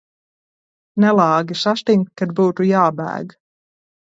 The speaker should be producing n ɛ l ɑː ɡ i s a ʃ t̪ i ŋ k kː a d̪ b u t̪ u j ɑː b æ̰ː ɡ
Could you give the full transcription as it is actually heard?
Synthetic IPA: n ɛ l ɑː ɡ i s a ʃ t̪ i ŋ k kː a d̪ b uː t̪ u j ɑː b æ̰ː ɡ